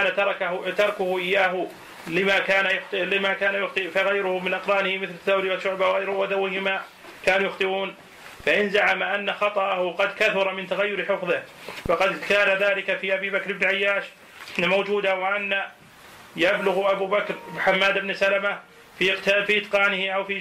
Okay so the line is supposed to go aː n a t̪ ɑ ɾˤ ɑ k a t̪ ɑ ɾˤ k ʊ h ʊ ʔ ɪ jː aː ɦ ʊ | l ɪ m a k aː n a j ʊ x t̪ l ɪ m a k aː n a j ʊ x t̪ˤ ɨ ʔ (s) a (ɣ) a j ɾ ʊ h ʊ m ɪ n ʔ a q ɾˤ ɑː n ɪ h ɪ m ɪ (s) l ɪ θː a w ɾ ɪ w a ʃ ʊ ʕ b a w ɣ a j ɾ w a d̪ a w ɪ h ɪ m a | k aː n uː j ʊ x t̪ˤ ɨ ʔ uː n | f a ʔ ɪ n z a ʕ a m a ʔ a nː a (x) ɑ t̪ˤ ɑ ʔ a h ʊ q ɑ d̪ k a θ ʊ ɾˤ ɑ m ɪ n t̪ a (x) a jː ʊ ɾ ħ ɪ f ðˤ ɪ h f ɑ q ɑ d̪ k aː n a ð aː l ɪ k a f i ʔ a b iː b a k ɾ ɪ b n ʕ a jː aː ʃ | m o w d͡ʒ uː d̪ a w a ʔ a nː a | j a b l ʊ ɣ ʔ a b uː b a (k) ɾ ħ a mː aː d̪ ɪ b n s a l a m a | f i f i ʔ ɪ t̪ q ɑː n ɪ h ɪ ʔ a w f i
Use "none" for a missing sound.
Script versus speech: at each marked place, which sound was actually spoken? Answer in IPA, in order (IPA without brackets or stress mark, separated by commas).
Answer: f, ɣ, θ, x, ɣ, k